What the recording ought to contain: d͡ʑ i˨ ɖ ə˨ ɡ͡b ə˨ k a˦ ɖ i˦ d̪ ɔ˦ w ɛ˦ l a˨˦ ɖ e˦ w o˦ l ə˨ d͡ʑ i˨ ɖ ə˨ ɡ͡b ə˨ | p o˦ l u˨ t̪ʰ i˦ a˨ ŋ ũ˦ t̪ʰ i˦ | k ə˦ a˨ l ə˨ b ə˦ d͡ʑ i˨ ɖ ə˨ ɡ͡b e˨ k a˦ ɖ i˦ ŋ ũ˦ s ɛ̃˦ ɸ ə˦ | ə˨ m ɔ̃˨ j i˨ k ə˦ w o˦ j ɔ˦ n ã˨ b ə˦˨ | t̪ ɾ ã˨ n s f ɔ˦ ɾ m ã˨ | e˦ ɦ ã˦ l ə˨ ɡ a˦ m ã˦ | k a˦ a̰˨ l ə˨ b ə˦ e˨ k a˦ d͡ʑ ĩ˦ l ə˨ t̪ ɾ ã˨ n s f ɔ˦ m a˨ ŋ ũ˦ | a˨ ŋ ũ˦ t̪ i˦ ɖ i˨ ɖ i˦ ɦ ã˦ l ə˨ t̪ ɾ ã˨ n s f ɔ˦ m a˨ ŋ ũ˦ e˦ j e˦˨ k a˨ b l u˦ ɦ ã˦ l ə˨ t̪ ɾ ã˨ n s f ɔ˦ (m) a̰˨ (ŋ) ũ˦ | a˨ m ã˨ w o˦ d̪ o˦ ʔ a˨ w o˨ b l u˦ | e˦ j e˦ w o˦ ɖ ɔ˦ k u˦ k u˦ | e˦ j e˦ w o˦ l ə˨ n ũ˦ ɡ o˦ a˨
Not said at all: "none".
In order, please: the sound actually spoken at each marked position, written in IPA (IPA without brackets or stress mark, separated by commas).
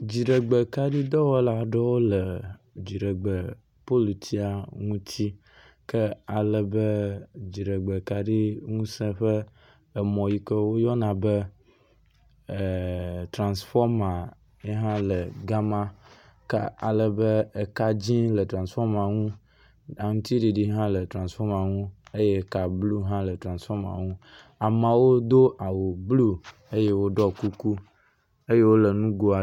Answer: m, ŋ